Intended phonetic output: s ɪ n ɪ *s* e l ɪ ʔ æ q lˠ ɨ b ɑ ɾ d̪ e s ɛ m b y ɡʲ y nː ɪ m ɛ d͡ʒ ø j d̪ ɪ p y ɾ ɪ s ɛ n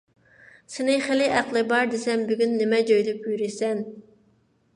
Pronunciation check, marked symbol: incorrect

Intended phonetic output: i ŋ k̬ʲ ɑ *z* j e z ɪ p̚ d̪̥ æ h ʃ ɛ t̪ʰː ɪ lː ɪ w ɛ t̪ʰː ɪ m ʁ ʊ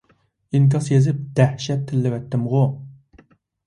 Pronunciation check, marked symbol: incorrect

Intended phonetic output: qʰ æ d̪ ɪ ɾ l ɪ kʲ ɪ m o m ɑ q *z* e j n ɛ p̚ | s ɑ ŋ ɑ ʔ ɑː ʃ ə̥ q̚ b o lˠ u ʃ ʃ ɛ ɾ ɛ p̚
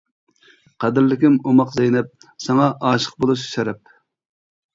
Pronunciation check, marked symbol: correct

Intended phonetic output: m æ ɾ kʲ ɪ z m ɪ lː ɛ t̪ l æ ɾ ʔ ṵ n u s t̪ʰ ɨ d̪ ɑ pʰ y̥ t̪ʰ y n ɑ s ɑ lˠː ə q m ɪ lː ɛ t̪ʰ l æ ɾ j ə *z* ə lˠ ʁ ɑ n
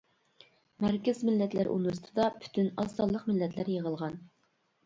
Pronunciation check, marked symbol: incorrect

